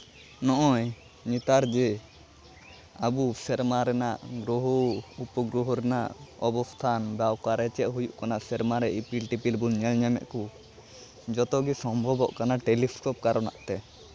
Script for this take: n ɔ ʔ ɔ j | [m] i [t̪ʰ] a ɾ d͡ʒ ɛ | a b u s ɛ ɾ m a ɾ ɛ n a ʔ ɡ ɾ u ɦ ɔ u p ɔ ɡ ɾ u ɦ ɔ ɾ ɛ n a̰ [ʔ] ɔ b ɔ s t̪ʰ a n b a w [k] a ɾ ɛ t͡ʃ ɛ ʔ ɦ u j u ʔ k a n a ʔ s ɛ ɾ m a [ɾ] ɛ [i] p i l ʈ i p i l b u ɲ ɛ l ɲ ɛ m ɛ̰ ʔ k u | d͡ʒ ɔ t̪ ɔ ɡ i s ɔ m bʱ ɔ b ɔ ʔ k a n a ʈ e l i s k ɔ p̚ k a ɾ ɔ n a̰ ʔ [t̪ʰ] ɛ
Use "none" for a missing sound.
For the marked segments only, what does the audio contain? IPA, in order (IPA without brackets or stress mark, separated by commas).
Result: ɲ, t̪, ʔ, k, ɾ, i, t̪